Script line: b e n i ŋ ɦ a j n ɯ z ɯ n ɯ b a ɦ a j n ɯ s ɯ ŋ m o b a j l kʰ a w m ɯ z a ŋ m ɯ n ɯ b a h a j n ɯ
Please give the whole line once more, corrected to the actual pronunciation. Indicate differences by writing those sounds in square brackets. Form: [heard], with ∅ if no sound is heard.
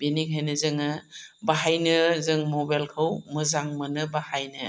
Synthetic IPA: b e n i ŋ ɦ a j n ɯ z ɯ [ŋ] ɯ b a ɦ a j n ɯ [z] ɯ ŋ m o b a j l kʰ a w m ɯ z a ŋ m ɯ n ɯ b a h a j n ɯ

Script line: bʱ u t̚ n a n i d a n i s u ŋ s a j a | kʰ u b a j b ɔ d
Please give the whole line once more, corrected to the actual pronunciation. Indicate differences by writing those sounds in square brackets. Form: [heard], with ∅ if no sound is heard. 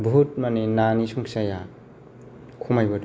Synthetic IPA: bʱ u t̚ [m] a n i [n] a n i s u ŋ s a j a | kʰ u [m] a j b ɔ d

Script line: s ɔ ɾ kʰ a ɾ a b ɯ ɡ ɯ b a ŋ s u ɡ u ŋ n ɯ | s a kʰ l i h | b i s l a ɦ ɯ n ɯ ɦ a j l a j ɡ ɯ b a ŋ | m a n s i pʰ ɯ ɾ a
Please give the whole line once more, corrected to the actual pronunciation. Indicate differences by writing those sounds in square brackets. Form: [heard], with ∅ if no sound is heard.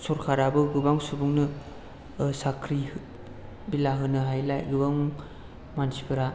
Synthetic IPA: s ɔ ɾ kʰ a ɾ a b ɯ ɡ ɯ b a ŋ s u [b] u ŋ n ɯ | s a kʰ [ɾ] i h | b i [∅] l a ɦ ɯ n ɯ ɦ a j l a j ɡ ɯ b a ŋ | m a n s i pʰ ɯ ɾ a

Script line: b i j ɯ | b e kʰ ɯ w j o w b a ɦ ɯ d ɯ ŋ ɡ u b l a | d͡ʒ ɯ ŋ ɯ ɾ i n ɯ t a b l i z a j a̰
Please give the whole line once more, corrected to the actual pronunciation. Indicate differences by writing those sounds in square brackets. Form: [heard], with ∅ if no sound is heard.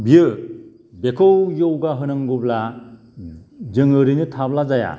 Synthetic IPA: b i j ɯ | b e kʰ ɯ w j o w [ɡ] a ɦ ɯ [n] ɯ ŋ ɡ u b l a | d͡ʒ ɯ ŋ ɯ ɾ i n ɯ [tʰ] a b l [a] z a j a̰

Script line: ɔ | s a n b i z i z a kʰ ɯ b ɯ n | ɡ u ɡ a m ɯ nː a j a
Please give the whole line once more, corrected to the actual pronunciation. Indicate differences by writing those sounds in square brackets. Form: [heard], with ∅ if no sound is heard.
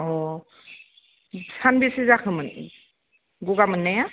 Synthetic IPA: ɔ | s a n b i [s] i z a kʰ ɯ [m] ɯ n | ɡ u ɡ a m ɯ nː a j a

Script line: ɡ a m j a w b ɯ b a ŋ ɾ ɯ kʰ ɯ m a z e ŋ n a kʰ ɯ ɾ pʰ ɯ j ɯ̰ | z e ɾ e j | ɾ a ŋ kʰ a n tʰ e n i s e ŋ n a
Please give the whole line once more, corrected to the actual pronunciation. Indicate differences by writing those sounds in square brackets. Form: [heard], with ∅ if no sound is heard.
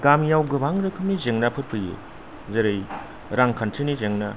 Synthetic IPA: ɡ a m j a w [ɡ] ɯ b a ŋ ɾ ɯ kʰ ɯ m [i] z e ŋ n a [pʰ] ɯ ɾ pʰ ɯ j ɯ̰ | z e ɾ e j | ɾ a ŋ kʰ a n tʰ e n i [z] e ŋ n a

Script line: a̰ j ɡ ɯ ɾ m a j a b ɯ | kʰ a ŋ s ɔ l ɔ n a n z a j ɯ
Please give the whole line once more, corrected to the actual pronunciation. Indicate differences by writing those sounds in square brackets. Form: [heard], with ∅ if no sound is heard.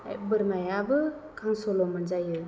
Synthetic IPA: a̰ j [b] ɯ ɾ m a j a b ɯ | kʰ a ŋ s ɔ l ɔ [m] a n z a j ɯ

